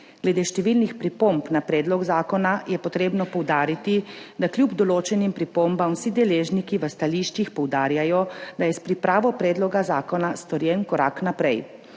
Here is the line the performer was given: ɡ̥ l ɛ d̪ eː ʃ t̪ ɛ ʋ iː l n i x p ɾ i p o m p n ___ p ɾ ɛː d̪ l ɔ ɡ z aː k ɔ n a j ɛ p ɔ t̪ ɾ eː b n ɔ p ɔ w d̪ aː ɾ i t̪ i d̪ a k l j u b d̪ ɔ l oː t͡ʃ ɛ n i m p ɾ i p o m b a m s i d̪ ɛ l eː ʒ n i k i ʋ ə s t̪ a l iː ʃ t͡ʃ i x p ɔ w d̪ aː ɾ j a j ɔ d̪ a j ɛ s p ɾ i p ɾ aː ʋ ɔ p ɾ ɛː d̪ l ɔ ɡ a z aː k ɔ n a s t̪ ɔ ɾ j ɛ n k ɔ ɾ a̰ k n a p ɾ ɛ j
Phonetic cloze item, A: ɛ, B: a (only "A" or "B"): B